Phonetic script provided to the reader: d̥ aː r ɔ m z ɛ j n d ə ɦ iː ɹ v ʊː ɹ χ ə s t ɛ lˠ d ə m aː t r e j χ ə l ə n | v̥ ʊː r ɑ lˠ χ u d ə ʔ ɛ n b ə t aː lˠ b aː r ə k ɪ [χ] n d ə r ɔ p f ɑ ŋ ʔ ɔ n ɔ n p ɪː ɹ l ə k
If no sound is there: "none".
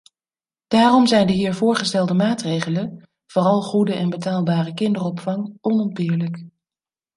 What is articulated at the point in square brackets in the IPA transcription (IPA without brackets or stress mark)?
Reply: none